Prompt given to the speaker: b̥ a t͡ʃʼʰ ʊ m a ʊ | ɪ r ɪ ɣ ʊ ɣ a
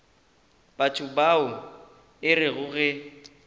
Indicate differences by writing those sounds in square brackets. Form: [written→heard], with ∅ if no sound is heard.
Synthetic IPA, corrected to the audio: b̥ a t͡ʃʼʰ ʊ [m→b] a ʊ | ɪ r ɪ ɣ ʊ ɣ [a→ɛ]